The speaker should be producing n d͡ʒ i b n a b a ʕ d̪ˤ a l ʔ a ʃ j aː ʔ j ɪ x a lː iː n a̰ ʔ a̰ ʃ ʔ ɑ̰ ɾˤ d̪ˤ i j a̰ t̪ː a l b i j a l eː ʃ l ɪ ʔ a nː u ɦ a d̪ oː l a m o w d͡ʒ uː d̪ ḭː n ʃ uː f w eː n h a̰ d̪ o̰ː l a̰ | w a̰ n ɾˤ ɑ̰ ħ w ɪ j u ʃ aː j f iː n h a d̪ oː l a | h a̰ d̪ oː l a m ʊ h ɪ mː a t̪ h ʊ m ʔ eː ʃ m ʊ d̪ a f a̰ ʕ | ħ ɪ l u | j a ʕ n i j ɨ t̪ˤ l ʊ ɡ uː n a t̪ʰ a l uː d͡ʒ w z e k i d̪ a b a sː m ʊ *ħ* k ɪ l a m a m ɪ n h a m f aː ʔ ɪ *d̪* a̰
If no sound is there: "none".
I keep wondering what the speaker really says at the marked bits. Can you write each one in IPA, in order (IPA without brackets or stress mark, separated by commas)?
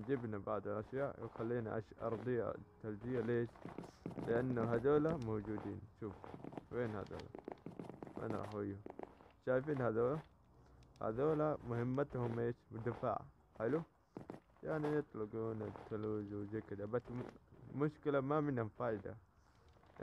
ʃ, d̪